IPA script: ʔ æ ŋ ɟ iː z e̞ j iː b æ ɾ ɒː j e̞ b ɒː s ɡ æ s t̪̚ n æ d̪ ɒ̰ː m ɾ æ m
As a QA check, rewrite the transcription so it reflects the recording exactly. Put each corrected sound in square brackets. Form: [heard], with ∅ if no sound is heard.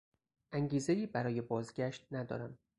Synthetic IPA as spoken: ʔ æ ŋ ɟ iː z e̞ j iː b æ ɾ ɒː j e̞ b ɒː [z] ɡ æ [ʃ] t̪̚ n æ d̪ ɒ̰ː [∅] ɾ æ m